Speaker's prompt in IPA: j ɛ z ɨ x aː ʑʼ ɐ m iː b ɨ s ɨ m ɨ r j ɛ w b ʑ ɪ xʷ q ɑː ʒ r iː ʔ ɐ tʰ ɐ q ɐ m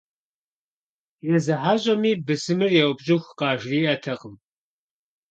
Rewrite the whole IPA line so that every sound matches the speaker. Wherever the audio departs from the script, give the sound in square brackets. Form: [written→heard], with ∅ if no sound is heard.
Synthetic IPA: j ɛ z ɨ [x→ħ] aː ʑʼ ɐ m iː b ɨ s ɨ m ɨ r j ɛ w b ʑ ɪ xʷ q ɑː ʒ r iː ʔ ɐ tʰ ɐ q [ɐ→ə] m